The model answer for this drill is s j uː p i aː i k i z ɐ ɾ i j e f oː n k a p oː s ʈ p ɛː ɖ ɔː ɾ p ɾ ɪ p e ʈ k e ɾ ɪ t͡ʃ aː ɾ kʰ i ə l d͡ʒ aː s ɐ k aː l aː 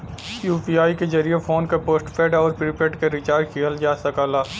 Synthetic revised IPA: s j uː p i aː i k e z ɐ ɾ i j e f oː n k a p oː s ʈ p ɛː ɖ ɔː ɾ p ɾ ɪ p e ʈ k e ɾ ɪ t͡ʃ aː ɾ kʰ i ə l d͡ʒ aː s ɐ k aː l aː